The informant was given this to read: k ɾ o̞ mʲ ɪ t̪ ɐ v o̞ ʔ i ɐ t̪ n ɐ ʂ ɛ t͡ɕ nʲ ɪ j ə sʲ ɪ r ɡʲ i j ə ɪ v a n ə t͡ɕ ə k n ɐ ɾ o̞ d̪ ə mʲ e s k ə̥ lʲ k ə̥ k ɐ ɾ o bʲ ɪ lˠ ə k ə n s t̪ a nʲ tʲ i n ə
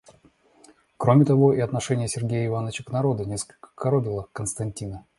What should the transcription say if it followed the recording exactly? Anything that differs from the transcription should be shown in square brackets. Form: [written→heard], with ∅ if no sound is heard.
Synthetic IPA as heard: k ɾ o̞ mʲ ɪ t̪ ɐ v o̞ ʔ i ɐ t̪ n ɐ ʂ ɛ [t͡ɕ→∅] nʲ ɪ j ə sʲ ɪ r ɡʲ [i→e] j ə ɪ v a n ə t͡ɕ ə k n ɐ ɾ o̞ d̪ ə [mʲ→nʲ] e s k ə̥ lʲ k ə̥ k ɐ ɾ o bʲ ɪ lˠ ə k ə n s t̪ [a→ɐ] nʲ tʲ i n ə